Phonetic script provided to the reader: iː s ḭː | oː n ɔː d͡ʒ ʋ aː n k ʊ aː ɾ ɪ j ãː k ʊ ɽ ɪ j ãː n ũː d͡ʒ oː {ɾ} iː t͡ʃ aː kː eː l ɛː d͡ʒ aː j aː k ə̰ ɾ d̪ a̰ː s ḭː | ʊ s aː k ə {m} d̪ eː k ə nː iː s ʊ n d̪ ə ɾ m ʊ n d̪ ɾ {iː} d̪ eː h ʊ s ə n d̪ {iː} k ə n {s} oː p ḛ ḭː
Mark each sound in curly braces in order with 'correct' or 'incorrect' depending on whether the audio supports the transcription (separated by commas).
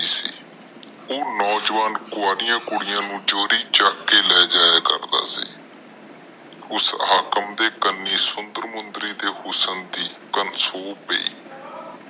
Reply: correct, correct, correct, correct, correct